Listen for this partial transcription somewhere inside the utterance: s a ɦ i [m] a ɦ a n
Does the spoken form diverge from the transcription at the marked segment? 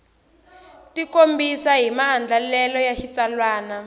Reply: no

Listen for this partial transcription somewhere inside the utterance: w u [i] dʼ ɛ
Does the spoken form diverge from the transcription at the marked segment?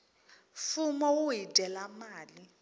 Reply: no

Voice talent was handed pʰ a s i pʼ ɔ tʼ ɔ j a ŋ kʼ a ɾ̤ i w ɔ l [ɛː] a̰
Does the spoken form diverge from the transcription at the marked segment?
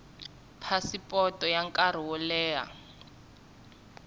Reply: no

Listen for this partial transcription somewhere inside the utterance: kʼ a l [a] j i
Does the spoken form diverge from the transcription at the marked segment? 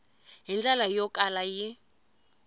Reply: no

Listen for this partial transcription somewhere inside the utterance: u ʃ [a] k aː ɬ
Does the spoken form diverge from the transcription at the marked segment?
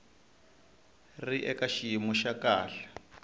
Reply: no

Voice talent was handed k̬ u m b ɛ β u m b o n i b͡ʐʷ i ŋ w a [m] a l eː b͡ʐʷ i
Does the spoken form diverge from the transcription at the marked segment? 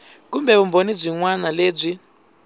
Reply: yes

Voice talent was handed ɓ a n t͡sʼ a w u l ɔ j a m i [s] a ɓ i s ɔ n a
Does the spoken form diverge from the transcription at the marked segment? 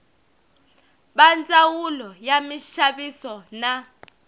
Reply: yes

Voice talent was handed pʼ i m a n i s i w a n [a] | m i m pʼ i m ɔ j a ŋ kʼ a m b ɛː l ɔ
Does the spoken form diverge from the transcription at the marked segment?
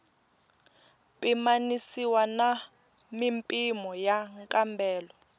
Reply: no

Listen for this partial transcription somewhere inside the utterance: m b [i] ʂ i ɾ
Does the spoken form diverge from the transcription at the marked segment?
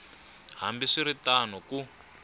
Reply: no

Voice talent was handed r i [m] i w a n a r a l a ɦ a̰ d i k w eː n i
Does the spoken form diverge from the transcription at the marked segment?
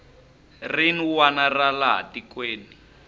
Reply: yes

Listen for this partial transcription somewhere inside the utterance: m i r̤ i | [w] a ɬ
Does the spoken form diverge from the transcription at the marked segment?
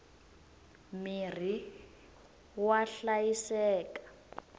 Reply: no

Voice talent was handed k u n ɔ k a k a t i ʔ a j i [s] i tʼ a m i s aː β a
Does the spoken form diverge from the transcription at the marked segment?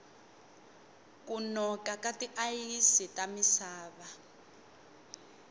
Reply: no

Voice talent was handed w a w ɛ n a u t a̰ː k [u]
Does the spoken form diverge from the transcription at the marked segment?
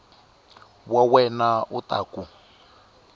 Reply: no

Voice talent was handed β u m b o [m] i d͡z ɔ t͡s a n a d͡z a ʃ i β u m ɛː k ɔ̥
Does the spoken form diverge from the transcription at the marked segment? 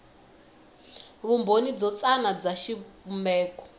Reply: yes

